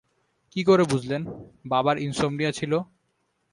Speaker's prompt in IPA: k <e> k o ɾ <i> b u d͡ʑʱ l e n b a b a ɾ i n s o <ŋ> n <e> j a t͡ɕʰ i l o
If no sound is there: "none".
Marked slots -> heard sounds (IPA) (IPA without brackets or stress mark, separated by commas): i, e, m, i